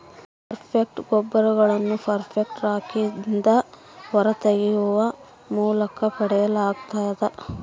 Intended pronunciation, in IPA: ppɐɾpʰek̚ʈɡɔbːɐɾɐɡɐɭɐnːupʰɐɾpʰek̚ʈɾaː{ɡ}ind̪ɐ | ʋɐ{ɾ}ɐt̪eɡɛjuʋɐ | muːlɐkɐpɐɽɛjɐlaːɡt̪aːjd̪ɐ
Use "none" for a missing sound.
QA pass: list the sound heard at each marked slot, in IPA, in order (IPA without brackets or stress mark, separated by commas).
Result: k, ɾ